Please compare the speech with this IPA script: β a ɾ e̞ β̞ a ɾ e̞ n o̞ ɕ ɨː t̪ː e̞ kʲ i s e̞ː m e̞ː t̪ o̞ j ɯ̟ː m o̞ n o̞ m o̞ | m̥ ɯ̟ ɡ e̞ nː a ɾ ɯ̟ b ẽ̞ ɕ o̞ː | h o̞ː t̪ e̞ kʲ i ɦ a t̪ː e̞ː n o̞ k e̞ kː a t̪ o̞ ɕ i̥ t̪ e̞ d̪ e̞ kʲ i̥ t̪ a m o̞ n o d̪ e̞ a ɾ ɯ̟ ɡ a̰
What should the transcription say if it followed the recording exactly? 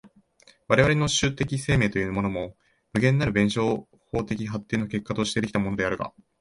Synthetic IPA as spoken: β a ɾ e̞ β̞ a ɾ e̞ n o̞ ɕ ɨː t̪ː e̞ kʲ i s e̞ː m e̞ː t̪ o̞ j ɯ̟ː m o̞ n o̞ m o̞ | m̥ ɯ̟ ɡ ẽ̞ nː a ɾ ɯ̟ b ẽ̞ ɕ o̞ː | h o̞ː t̪ e̞ kʲ i ɦ a t̪ː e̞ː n o̞ k e̞ kː a t̪ o̞ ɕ i̥ t̪ e̞ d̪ e̞ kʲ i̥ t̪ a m o̞ n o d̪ e̞ a ɾ ɯ̟ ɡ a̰